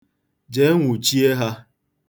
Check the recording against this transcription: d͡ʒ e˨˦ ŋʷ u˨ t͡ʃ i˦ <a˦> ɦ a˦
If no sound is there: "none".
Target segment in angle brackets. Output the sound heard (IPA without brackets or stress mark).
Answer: e˦